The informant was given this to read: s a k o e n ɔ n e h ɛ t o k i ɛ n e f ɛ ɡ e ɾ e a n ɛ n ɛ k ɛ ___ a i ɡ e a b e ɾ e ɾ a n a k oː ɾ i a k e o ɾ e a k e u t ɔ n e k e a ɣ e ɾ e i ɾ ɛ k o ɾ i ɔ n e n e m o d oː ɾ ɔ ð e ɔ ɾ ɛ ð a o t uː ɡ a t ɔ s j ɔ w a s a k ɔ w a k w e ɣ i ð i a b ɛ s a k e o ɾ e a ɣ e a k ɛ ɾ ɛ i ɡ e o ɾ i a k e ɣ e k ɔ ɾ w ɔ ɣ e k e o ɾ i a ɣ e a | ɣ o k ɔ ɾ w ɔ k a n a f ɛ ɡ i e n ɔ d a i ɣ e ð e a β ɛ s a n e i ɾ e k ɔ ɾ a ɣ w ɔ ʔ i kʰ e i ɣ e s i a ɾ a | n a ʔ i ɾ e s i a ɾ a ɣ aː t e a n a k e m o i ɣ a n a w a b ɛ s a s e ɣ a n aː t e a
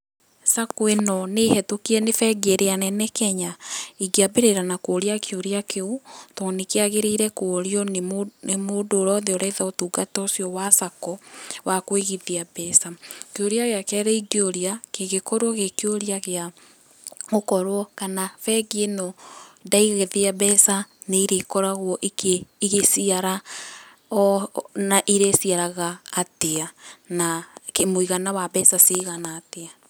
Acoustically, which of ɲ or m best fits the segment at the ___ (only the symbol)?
ɲ